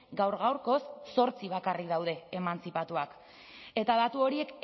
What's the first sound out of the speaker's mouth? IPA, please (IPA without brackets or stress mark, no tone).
ɡ